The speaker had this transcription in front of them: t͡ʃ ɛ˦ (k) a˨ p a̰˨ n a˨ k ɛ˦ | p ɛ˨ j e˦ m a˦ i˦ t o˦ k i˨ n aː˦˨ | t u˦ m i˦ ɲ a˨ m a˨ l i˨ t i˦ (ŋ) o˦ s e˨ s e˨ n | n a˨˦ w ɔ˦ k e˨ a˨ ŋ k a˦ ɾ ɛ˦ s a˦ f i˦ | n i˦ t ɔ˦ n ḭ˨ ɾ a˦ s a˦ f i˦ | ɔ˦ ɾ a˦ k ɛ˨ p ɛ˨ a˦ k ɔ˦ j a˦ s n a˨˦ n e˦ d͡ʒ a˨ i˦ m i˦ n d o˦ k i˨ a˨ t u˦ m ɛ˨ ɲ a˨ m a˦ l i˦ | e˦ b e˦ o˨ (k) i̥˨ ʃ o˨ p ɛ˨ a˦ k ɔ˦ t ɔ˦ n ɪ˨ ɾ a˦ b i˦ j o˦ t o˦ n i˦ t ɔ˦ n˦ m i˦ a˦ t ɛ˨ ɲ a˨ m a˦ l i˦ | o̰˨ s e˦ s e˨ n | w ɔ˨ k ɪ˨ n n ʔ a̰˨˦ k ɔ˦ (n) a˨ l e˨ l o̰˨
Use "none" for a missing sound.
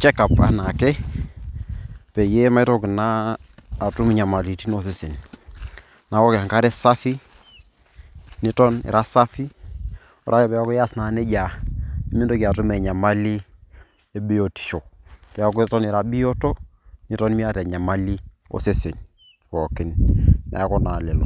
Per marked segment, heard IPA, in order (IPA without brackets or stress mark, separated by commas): k, n, t, n